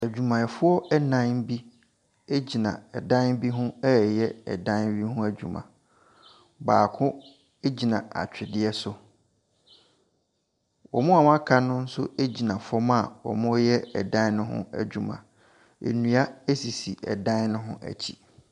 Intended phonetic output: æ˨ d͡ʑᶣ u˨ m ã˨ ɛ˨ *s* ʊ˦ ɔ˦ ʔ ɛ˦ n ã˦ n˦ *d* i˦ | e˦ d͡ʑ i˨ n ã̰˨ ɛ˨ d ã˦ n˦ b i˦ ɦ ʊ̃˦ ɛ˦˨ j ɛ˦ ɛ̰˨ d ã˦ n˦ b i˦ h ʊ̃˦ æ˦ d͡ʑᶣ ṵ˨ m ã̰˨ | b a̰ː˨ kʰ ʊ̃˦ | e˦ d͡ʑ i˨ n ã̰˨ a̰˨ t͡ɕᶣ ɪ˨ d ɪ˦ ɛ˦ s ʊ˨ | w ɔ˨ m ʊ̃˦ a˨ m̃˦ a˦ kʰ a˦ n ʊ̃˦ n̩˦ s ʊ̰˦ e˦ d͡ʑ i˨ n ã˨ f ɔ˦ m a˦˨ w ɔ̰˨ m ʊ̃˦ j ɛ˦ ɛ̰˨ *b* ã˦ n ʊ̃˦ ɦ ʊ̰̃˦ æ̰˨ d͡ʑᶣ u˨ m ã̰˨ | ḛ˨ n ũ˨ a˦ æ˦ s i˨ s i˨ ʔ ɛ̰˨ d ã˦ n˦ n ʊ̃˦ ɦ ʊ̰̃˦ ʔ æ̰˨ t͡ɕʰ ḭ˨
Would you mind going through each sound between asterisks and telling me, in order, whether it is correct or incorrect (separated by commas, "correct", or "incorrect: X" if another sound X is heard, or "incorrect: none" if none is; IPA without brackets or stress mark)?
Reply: incorrect: f, incorrect: b, incorrect: d